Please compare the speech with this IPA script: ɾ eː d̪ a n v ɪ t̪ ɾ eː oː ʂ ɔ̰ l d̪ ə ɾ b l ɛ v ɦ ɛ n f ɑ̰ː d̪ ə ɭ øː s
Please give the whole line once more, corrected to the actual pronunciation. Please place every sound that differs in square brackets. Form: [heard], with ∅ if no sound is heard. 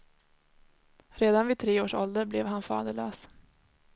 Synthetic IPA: ɾ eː d̪ a n v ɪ [t̪ʰ] ɾ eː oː ʂ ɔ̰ l d̪ ə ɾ b l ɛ v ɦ [a] n f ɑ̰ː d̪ ə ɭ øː s